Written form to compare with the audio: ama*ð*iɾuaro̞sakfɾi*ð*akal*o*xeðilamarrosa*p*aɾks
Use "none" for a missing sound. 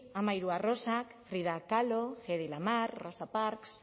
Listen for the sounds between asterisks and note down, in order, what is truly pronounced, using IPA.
none, ð, o, p

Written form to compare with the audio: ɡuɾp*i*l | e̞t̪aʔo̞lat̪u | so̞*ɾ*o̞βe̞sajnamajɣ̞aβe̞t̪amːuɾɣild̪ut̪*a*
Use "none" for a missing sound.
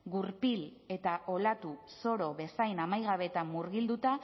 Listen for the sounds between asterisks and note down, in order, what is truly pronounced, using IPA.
i, ɾ, a

